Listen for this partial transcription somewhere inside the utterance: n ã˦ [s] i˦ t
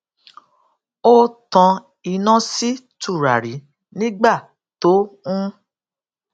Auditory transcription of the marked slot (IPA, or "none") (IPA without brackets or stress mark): s